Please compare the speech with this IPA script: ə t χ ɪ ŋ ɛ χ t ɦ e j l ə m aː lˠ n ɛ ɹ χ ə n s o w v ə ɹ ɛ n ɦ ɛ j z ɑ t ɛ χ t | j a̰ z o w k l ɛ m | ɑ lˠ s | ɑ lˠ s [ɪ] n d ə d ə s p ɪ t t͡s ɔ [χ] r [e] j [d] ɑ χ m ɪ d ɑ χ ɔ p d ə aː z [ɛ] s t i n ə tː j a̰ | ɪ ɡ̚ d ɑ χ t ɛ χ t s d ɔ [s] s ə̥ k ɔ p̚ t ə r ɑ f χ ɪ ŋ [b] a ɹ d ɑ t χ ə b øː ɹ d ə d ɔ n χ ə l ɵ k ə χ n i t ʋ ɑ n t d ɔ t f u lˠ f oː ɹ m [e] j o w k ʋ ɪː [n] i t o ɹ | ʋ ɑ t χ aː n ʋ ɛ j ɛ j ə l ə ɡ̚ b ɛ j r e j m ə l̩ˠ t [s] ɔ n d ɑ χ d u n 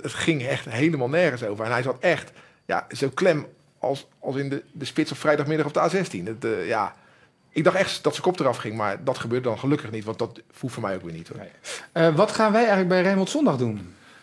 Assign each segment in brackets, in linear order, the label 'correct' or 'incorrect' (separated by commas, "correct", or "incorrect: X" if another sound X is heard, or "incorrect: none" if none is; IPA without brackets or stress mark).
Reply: correct, incorrect: f, incorrect: ɛ, correct, correct, incorrect: t, incorrect: m, incorrect: ɛ, correct, correct